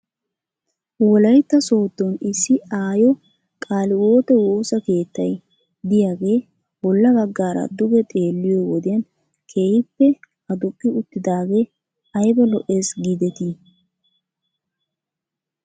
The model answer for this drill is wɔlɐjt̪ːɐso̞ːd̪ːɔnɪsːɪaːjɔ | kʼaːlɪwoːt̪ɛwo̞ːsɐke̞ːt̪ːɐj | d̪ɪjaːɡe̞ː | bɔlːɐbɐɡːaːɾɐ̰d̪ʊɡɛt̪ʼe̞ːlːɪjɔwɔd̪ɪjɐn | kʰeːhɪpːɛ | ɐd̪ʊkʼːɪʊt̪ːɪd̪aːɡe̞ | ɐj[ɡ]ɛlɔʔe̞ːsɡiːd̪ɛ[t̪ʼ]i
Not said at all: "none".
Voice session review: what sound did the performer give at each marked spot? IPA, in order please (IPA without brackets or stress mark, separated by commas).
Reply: b, t̪